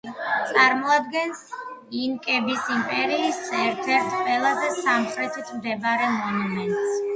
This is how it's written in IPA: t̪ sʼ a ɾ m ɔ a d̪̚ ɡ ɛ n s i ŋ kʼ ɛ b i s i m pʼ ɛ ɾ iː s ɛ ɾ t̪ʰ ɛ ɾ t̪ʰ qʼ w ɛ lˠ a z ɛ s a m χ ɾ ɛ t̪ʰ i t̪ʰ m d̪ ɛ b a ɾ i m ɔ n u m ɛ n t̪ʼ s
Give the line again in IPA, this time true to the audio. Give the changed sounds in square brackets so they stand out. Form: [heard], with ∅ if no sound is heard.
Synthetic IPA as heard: t̪ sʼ a ɾ m ɔ a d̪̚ ɡ ɛ n s i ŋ kʼ ɛ b i s i m pʼ ɛ ɾ iː s ɛ ɾ t̪ʰ ɛ ɾ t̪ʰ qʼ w ɛ lˠ a z ɛ s a m χ ɾ ɛ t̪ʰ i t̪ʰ m d̪ ɛ b a ɾ [ɛ] m ɔ n u m ɛ n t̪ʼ s